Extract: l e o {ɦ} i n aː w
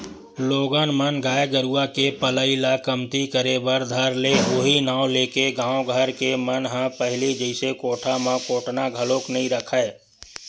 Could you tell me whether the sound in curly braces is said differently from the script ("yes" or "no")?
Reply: no